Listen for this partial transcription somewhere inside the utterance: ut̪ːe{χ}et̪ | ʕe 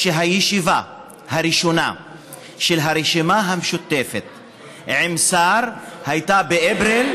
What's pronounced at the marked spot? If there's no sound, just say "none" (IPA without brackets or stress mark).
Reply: f